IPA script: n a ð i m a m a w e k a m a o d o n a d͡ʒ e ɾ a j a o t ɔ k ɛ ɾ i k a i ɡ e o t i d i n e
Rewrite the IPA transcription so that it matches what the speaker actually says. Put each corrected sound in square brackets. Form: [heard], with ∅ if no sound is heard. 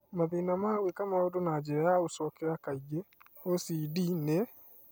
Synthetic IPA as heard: [m] a ð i [n] a m a w e k a m a o d o n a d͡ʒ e ɾ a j a o [s] ɔ k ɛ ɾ [a] k a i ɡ e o [s] i d i n e